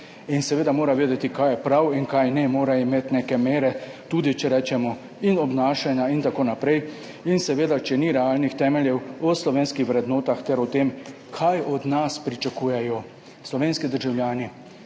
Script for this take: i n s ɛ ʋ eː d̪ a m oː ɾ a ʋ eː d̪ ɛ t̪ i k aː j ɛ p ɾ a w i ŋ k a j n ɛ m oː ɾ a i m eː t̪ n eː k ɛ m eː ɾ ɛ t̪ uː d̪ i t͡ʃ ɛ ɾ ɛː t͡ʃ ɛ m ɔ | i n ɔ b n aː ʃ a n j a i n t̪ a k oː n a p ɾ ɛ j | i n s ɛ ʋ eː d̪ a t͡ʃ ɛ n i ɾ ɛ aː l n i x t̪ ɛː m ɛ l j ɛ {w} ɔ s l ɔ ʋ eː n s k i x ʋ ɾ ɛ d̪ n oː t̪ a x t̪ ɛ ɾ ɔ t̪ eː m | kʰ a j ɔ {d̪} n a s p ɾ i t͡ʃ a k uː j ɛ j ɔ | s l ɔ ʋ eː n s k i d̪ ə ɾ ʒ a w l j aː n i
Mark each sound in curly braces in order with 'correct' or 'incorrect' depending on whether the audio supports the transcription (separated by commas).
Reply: correct, correct